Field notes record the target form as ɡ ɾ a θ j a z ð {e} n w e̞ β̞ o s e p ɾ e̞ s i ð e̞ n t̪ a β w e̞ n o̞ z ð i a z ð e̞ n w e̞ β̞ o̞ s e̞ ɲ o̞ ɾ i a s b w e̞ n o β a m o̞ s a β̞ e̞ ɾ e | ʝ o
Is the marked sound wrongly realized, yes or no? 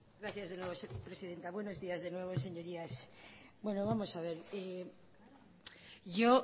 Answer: no